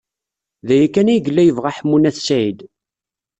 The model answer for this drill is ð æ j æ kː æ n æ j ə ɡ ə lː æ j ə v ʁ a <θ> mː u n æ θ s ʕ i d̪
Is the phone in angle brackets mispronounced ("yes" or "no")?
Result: yes